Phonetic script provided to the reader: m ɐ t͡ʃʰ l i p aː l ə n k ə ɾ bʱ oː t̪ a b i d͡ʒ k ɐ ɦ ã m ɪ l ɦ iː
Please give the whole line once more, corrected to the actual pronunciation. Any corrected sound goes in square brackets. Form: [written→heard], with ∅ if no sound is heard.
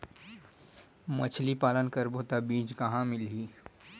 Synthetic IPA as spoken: m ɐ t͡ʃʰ l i p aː l ə n k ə ɾ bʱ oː t̪ a b [i→iː] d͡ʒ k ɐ ɦ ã m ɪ l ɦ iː

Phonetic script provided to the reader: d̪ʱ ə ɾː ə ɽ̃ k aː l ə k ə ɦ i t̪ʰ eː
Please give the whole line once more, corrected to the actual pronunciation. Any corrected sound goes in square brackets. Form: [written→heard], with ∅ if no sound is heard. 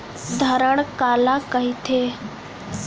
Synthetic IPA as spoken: d̪ʱ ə [ɾː→ɾ] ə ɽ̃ k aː l [ə→a] k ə ɦ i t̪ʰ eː

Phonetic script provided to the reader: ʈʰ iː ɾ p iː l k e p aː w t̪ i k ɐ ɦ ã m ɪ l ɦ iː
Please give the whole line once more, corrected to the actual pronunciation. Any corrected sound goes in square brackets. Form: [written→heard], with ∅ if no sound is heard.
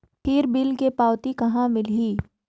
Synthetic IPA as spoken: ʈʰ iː ɾ [p→b] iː l k e p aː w t̪ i k ɐ ɦ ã m ɪ l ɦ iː

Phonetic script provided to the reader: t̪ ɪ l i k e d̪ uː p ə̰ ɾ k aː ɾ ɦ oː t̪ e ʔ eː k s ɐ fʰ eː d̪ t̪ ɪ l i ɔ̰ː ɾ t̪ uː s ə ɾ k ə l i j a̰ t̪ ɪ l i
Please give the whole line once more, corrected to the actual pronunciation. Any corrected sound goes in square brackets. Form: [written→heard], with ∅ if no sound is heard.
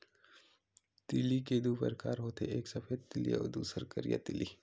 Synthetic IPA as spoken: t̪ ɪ l i k e d̪ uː p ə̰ ɾ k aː ɾ ɦ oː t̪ e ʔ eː k s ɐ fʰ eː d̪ t̪ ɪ l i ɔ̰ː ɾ [t̪→d̪] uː s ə ɾ k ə [l→ɾ] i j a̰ t̪ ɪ l i

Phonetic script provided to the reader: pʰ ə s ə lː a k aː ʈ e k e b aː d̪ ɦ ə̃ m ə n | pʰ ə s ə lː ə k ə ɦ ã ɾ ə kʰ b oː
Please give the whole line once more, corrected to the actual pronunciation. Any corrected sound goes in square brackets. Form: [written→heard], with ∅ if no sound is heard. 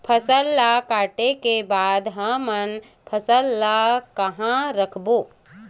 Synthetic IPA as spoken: pʰ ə s ə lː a k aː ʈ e k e b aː d̪ ɦ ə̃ m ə n | pʰ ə s ə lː [ə→a] k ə ɦ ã ɾ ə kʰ b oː

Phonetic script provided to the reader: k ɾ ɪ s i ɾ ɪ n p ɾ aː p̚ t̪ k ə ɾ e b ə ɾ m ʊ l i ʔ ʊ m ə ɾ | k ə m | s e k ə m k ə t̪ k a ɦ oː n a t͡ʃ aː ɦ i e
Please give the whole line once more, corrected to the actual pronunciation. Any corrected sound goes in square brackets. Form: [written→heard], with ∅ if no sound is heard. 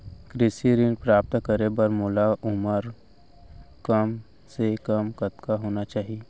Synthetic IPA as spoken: k ɾ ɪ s i ɾ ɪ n p ɾ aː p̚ t̪ k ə ɾ e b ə ɾ m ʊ l [i→a] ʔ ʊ m ə ɾ | k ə m | s e k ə m k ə t̪ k a ɦ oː n a t͡ʃ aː ɦ i e

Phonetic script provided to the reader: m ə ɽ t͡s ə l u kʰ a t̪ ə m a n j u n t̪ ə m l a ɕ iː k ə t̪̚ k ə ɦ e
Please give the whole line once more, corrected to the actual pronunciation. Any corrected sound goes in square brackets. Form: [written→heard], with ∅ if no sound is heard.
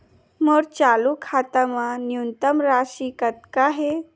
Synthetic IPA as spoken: m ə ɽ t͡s [ə→a] l u kʰ a t̪ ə m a n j u n t̪ ə m [l→ɾ] a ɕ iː k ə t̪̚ k [ə→a] ɦ e

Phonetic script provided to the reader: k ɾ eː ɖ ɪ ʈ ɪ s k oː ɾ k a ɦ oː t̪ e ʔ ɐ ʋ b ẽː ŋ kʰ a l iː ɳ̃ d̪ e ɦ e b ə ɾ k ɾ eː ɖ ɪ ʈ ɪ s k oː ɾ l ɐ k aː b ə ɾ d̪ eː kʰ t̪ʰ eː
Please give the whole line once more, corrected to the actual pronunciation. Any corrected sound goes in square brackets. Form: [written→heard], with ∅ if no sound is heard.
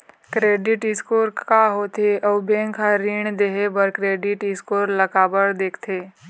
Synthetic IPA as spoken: k ɾ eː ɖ ɪ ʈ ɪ s k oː ɾ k a ɦ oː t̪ e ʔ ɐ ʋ b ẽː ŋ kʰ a [l→ɾ] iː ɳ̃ d̪ e ɦ e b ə ɾ k ɾ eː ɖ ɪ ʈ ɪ s k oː ɾ l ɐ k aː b ə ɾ d̪ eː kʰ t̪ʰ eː

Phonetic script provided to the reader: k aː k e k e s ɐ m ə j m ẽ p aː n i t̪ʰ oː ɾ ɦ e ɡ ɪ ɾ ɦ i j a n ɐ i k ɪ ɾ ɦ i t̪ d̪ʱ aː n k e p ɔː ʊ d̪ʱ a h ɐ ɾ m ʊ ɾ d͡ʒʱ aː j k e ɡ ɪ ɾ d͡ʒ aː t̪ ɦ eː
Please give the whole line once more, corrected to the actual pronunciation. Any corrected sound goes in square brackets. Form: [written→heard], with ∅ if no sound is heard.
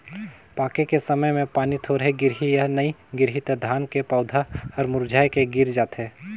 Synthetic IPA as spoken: [k→p] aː k e k e s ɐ m ə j m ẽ p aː n i t̪ʰ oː ɾ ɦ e ɡ ɪ ɾ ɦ i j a n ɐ i [k→ɡ] ɪ ɾ ɦ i t̪ d̪ʱ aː n k e p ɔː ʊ d̪ʱ a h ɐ ɾ m ʊ ɾ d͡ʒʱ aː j k e ɡ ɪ ɾ d͡ʒ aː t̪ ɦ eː

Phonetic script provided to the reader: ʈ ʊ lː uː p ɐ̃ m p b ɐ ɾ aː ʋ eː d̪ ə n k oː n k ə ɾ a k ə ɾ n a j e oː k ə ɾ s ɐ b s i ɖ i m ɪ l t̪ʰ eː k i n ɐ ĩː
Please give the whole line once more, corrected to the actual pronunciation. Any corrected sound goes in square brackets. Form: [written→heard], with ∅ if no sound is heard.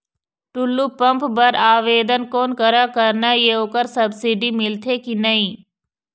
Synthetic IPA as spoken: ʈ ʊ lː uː p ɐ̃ m p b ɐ ɾ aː ʋ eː d̪ ə n k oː n k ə ɾ a k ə ɾ n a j e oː k ə ɾ s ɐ b s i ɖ i m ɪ l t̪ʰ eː k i n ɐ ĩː

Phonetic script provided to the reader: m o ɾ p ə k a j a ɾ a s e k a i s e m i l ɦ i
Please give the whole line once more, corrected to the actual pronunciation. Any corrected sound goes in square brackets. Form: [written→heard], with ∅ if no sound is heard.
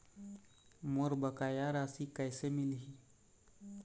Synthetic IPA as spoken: m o ɾ [p→b] ə k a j a ɾ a s [e→i] k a [i→j] s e m i l ɦ i

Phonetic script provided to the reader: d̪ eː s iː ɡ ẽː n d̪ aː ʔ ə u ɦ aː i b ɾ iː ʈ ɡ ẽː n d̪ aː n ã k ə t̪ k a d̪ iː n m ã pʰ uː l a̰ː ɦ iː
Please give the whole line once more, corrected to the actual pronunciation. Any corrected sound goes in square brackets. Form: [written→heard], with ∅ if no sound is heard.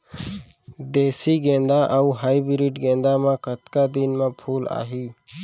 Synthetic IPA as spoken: d̪ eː s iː ɡ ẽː n d̪ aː ʔ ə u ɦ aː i b ɾ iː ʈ ɡ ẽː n d̪ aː [n→m] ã k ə t̪ k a d̪ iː n m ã pʰ uː l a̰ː ɦ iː

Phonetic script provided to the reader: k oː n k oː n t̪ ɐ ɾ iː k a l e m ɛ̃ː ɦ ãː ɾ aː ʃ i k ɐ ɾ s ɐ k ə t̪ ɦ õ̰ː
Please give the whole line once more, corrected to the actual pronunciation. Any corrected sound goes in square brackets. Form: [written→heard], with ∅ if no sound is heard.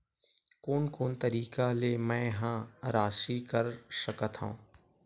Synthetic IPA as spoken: k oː n k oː n t̪ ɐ ɾ iː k a l e m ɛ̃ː ɦ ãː ɾ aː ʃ i k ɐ ɾ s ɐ k ə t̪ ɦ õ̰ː

